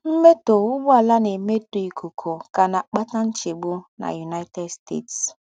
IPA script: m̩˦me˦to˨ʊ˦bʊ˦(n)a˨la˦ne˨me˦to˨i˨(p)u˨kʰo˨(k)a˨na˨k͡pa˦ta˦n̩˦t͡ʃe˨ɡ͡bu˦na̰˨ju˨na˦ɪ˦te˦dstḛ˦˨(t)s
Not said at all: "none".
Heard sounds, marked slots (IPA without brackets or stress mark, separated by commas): none, k, k, t